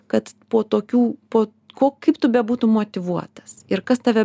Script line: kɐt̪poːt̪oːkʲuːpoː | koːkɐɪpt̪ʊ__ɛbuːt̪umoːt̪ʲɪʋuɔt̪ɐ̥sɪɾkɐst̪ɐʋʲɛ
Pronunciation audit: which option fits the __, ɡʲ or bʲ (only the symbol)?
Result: bʲ